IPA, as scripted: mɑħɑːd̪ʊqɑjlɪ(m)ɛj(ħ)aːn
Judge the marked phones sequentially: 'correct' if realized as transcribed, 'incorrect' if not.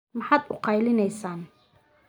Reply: incorrect, incorrect

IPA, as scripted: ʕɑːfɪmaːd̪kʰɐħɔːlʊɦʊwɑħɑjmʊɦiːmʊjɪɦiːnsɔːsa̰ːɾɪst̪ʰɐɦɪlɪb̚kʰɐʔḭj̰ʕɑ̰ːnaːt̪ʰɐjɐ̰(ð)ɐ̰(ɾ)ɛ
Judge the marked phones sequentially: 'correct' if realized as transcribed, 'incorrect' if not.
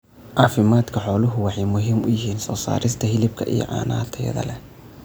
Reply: correct, incorrect

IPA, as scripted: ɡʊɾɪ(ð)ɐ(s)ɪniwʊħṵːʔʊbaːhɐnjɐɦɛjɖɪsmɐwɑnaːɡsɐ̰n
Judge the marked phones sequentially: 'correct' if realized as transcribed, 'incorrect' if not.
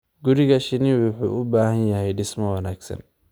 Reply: incorrect, incorrect

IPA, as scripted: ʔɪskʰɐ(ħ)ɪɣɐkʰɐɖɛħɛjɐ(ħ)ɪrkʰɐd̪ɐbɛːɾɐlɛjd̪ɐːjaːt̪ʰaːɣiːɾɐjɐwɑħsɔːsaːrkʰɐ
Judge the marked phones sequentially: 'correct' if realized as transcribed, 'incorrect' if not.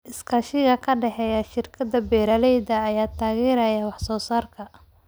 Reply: incorrect, incorrect

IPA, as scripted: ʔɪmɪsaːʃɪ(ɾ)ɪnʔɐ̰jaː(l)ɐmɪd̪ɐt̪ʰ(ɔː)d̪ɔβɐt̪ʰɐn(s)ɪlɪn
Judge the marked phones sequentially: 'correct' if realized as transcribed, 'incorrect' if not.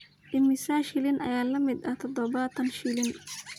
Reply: incorrect, correct, incorrect, incorrect

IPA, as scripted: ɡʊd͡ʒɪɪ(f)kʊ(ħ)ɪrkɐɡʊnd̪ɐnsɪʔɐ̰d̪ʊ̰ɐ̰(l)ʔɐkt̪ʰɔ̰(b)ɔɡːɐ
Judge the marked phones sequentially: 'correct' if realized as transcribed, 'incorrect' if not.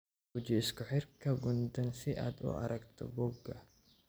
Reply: incorrect, correct, incorrect, correct

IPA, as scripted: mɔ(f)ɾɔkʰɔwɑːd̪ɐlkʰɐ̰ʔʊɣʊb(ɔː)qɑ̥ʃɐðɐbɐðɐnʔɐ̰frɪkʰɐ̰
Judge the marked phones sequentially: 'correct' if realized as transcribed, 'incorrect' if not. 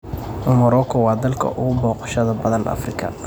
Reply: incorrect, correct

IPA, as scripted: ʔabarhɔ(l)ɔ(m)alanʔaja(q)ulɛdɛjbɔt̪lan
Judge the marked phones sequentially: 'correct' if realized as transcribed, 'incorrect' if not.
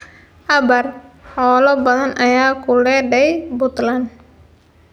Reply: correct, incorrect, incorrect

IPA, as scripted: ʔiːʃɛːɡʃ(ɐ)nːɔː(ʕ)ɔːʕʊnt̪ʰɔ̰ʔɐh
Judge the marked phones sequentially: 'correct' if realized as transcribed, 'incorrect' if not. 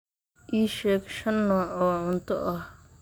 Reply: correct, correct

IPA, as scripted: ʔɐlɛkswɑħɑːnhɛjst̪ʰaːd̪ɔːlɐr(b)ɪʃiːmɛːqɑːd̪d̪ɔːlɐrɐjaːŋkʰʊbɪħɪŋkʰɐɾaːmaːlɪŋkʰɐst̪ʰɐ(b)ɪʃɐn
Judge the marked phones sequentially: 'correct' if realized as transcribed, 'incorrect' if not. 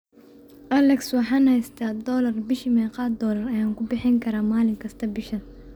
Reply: correct, correct

